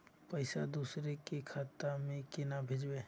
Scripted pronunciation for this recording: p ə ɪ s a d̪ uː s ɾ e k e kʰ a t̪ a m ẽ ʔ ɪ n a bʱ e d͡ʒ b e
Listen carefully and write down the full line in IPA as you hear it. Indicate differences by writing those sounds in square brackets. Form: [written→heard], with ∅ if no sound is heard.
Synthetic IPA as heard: p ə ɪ s a d̪ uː s ɾ e k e kʰ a t̪ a m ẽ [ʔ→k] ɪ n a bʱ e d͡ʒ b e